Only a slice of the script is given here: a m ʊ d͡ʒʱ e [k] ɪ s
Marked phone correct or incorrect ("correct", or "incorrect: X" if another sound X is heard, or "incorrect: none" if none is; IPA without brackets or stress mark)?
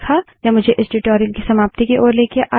incorrect: ʔ